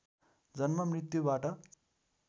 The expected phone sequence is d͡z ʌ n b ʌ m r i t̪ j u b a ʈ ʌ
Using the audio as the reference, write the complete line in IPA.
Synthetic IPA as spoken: d͡z ʌ n m ʌ m r i t̪ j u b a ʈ ʌ